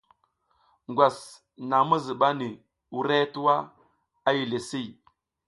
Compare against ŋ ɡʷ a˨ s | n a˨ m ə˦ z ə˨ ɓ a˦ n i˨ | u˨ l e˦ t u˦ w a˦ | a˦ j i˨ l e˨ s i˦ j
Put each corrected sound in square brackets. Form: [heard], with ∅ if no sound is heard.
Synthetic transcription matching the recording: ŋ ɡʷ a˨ s | n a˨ m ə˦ z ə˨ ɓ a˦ n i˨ | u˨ [ɾ] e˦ t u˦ w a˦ | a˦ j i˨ l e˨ s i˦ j